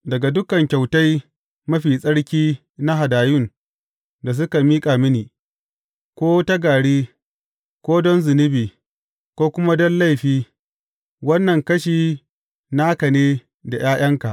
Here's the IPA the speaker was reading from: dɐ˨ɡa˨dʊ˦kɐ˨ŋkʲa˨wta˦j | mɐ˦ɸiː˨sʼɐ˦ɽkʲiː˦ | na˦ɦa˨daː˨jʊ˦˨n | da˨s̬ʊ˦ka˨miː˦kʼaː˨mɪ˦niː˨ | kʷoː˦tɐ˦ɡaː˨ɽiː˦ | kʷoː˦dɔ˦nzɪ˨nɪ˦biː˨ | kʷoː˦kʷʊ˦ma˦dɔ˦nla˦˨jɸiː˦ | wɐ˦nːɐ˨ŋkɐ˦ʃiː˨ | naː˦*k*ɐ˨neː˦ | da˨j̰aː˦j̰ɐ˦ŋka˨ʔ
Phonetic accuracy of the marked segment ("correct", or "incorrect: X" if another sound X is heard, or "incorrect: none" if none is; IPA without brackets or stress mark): correct